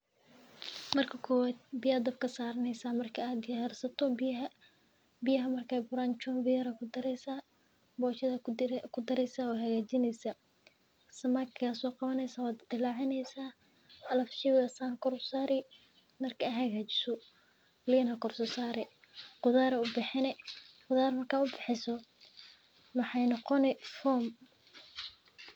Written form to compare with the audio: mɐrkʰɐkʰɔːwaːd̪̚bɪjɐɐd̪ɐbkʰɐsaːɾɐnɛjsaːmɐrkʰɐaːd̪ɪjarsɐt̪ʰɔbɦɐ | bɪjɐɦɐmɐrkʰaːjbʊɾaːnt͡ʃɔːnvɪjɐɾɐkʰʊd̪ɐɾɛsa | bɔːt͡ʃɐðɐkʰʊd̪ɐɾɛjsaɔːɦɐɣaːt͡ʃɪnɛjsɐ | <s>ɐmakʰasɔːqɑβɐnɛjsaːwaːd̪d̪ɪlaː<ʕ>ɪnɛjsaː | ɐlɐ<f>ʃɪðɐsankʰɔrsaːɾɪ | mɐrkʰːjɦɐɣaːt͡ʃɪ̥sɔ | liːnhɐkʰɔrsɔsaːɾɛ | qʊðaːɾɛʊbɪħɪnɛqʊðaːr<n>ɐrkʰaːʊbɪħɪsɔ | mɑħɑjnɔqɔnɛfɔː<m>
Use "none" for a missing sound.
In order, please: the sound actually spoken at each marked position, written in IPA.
s, ʕ, f, m, m

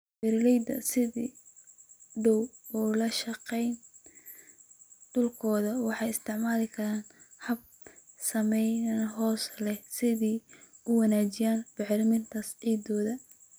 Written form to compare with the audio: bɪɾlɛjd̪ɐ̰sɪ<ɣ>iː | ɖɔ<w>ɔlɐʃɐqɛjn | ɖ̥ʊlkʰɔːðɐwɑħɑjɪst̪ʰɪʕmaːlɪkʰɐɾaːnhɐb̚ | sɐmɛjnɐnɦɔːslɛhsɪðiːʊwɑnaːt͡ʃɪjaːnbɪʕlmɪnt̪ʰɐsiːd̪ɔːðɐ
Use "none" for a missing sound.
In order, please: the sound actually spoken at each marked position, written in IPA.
ð, w

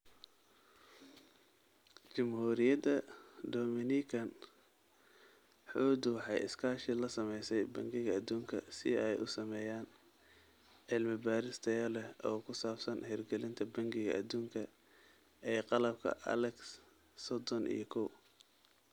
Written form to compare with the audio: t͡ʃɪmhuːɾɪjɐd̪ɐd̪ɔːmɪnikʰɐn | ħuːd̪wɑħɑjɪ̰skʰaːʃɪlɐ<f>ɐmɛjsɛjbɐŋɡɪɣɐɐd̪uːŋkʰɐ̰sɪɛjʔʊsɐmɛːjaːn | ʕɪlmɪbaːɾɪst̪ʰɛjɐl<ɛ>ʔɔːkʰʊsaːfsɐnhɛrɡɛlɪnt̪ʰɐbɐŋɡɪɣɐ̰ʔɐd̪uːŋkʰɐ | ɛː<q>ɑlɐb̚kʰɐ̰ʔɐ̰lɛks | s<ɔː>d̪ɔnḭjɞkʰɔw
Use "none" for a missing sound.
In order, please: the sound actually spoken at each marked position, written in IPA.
s, ɛ, q, ɔ

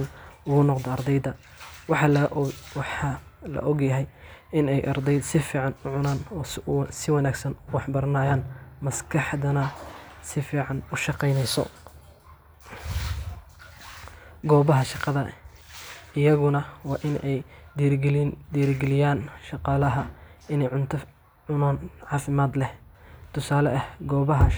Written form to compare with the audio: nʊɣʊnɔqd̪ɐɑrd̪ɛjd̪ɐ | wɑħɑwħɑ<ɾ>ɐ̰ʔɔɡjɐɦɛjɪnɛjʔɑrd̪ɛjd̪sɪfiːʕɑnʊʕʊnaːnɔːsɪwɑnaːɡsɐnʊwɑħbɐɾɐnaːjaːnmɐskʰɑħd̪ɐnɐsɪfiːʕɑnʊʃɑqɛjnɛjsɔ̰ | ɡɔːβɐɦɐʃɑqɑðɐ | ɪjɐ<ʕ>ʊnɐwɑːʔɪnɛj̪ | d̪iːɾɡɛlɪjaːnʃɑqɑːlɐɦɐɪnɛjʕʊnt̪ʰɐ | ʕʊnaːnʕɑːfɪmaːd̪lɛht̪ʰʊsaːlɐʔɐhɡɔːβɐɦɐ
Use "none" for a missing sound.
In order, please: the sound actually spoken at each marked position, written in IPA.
l, ɣ

